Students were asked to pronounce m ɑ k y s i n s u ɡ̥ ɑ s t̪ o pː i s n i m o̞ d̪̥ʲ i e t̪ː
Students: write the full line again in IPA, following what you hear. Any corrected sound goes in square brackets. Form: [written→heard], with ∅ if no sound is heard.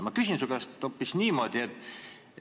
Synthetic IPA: m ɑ k y s i n s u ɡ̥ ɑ s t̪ o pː i s n [i→iː] m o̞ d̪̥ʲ i e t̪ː